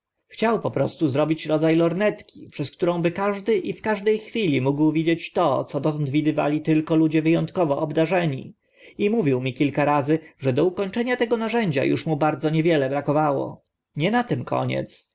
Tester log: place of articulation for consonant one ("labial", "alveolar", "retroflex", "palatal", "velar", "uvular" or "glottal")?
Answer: velar